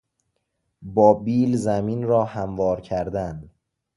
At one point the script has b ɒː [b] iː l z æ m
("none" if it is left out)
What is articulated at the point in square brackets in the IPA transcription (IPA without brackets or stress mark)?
b